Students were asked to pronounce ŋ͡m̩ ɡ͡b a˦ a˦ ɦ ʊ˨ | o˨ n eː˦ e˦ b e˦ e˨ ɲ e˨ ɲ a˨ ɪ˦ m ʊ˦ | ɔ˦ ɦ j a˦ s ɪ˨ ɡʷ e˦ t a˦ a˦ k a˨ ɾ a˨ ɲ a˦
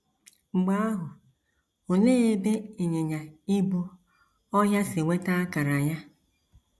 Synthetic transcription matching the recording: ŋ͡m̩ ɡ͡b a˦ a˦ ɦ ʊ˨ | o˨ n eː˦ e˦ b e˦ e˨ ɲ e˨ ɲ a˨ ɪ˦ b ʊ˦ | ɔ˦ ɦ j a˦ s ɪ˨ ŋʷ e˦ t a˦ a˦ k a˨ ɾ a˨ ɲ a˦